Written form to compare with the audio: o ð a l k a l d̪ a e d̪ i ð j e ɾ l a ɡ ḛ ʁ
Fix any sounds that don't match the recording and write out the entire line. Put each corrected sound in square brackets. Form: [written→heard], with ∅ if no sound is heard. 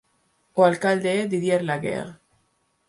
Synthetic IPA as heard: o [ð→∅] a l k a l d̪ [a→e] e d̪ i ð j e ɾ l a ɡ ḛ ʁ